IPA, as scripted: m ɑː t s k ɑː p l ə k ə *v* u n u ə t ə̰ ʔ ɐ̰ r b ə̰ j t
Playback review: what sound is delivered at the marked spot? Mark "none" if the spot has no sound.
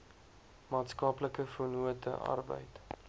f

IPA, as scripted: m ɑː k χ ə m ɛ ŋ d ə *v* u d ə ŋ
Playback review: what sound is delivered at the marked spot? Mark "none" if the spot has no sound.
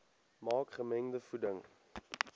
f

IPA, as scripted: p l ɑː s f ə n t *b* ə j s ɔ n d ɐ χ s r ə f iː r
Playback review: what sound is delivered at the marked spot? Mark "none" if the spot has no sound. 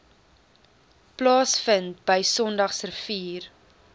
b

